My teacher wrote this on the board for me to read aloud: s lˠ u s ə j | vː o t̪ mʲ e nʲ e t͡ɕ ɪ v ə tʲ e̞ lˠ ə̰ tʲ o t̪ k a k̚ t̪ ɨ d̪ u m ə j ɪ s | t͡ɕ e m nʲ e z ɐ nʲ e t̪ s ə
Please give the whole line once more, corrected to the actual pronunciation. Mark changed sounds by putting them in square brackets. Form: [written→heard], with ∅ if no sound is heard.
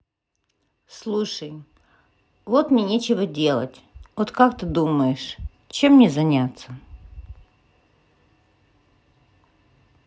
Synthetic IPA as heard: s lˠ u [s→ʂ] ə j | [vː→v] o t̪ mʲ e nʲ e t͡ɕ ɪ v ə [tʲ→dʲ] e̞ lˠ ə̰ tʲ o t̪ k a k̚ t̪ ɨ d̪ u m ə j ɪ [s→ʂ] | t͡ɕ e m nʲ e z ɐ nʲ [e→a] t̪ s ə